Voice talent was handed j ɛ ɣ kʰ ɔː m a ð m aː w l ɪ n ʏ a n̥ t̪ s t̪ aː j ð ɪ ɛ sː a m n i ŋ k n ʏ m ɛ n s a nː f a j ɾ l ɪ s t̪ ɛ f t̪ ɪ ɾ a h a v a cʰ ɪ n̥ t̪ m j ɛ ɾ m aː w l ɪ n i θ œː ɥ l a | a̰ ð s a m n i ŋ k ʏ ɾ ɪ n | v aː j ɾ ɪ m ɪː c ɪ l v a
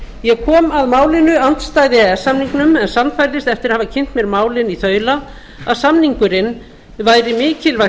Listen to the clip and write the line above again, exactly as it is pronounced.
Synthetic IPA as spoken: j ɛ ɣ kʰ ɔː m a ð m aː w l ɪ n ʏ a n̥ t̪ s t̪ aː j ð ɪ ɛ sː a m n i ŋ k n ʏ m ɛ n s a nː f a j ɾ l ɪ s t̪ ɛ f t̪ ɪ ɾ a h a v a cʰ ɪ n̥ t̪ m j ɛ ɾ m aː w l ɪ n i θ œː ɥ l a | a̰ ð s a m n i ŋ k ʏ ɾ ɪ n | v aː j ɾ ɪ m ɪː c ɪ l v a